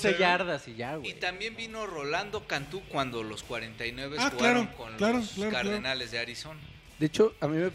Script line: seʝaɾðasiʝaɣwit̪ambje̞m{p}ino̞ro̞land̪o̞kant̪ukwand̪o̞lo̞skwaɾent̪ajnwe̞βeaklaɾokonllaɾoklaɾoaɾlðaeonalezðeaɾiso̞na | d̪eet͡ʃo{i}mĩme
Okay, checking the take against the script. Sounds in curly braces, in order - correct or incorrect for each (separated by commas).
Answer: incorrect, incorrect